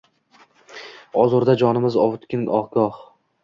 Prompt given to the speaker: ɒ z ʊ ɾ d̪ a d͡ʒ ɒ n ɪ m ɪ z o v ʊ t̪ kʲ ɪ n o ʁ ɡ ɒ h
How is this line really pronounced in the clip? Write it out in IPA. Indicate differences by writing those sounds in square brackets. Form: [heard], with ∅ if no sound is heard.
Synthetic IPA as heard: ɒ z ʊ ɾ d̪ a d͡ʒ ɒ n ɪ m ɪ z [ɒ] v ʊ t̪ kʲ ɪ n [ɒ] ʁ ɡ ɒ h

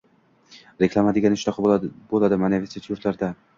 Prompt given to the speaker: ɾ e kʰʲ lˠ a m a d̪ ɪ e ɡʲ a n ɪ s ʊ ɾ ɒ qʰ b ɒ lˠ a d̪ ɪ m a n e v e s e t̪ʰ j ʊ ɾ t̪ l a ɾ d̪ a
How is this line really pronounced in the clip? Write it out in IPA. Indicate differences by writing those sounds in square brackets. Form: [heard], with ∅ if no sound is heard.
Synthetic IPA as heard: ɾ e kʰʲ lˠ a m a d̪ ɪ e ɡʲ a n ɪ [ʃ] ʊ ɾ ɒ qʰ b [o] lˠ a d̪ ɪ m a n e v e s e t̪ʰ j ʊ ɾ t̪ l a ɾ d̪ a

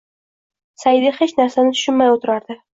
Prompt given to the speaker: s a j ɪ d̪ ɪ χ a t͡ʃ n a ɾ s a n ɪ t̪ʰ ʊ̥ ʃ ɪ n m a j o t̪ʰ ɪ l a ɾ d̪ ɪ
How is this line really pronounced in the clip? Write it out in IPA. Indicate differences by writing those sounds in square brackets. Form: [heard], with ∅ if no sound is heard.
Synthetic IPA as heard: s a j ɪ d̪ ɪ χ [e] t͡ʃ n a ɾ s a n ɪ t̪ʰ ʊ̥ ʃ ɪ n m a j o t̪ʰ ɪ [ɾ] a ɾ d̪ ɪ

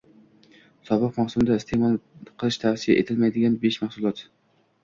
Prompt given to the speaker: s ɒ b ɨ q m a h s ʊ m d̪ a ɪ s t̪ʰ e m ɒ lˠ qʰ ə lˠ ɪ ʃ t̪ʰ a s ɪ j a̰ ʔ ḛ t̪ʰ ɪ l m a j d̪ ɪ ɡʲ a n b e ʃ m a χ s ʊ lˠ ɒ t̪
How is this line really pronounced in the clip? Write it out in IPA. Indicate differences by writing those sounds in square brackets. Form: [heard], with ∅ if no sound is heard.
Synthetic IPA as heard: s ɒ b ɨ q m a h s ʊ m d̪ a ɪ s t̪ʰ e m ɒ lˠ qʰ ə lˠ ɪ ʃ t̪ʰ a s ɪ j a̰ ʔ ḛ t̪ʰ ɪ l m a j d̪ ɪ ɡʲ a n b e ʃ m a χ s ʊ lˠ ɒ t̪

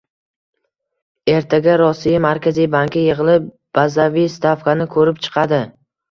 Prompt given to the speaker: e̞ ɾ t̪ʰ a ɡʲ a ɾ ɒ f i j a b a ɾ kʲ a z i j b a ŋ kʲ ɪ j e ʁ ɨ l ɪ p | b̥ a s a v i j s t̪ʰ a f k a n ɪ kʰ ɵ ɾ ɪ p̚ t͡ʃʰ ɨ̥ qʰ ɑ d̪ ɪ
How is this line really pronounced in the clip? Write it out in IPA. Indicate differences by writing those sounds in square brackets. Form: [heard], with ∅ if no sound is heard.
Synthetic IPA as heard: e̞ ɾ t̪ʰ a ɡʲ a ɾ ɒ [s] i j a [m] a ɾ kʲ a z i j b a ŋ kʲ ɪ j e ʁ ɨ l ɪ p | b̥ a [z] a v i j s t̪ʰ a f k a n ɪ kʰ ɵ ɾ ɪ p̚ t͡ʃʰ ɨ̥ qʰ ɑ d̪ ɪ

